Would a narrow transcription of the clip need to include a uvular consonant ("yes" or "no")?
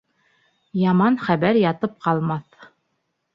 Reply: yes